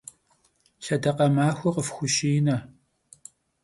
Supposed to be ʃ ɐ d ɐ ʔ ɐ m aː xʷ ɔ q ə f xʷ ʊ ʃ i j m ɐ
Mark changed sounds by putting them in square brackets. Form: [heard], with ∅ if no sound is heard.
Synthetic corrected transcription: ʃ ɐ d ɐ [q] ɐ m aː xʷ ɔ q ə f xʷ ʊ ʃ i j [n] ɐ